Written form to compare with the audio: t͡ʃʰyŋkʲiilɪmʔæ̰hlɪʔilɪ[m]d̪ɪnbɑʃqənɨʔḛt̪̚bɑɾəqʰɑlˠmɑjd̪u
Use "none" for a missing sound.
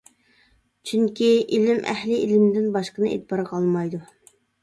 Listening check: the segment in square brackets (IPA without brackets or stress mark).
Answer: m